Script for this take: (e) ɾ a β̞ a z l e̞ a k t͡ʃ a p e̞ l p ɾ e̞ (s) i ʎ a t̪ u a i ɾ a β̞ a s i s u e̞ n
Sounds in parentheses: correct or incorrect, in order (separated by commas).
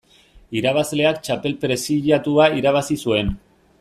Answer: incorrect, correct